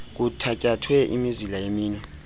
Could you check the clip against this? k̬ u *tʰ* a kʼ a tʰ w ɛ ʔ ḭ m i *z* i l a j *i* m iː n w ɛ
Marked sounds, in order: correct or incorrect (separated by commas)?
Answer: correct, correct, incorrect